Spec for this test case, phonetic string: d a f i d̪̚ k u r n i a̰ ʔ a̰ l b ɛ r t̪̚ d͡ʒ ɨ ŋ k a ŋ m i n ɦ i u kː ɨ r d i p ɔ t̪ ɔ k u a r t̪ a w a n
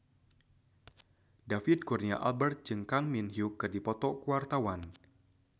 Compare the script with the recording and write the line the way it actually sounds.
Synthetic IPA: d a f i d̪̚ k u r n i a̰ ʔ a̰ l b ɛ r t̪̚ d͡ʒ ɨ ŋ k a ŋ m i n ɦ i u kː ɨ r d i p ɔ t̪ ɔ k u a r t̪ a w a n